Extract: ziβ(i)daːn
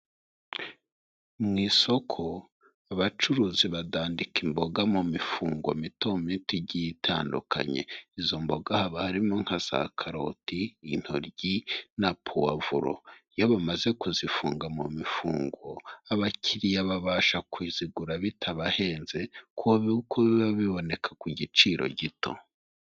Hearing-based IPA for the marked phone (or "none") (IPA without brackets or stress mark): a